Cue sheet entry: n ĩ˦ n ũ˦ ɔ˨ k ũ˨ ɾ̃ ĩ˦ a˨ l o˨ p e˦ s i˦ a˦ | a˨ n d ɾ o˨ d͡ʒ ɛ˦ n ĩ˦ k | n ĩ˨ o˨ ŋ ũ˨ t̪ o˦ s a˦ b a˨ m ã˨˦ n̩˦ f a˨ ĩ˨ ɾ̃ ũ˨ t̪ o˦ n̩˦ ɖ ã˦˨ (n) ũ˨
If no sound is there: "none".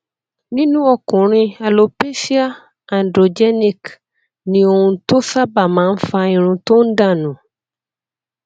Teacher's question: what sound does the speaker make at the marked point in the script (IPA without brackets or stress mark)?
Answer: n